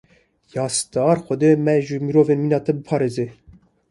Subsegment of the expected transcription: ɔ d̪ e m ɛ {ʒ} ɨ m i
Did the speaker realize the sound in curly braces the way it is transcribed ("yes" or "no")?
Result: yes